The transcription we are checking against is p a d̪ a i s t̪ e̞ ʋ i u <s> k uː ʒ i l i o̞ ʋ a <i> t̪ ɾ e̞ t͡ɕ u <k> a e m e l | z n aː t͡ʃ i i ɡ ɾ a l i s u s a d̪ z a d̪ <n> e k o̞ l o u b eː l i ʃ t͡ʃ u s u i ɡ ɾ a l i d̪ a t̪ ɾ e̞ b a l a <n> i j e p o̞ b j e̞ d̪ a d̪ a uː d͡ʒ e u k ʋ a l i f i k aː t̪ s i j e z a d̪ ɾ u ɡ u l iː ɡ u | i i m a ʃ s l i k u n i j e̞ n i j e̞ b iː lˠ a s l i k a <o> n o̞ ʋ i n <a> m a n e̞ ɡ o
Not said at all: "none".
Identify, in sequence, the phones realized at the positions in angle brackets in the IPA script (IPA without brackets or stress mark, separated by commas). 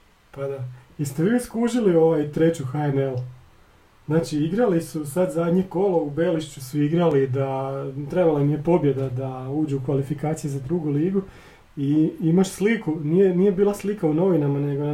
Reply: s, j, x, ɲ, n, u, a